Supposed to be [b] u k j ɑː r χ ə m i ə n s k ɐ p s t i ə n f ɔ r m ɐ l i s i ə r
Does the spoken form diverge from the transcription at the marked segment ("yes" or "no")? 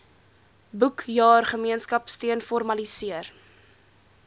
no